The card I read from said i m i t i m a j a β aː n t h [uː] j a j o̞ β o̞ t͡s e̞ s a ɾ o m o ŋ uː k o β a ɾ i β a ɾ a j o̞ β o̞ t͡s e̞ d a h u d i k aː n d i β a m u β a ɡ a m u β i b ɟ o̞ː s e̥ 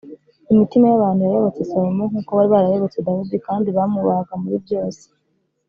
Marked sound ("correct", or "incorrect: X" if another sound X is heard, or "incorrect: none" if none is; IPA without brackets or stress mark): incorrect: u